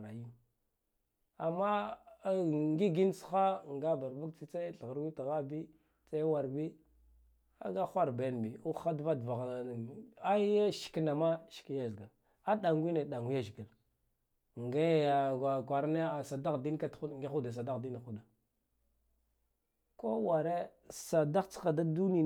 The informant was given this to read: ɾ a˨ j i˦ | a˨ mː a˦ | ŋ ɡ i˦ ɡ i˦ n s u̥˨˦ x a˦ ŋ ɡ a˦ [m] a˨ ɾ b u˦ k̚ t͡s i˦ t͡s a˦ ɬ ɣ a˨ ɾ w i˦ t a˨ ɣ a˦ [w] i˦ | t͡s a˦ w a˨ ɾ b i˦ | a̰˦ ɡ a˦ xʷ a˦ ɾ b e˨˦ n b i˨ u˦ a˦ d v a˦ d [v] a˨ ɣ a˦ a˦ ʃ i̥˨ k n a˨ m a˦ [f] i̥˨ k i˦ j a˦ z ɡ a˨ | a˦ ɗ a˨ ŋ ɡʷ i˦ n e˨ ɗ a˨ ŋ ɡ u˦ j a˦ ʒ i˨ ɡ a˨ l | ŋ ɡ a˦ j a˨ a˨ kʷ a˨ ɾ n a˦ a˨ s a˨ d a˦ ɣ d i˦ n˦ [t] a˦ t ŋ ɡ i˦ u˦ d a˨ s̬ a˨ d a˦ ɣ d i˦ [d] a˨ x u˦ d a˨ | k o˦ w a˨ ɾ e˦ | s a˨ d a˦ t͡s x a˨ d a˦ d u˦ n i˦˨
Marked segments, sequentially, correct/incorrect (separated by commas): incorrect, incorrect, correct, incorrect, incorrect, incorrect